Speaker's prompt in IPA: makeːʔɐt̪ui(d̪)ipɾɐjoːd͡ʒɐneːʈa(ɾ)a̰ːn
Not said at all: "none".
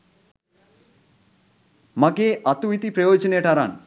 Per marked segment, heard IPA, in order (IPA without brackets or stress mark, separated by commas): t̪, ɾ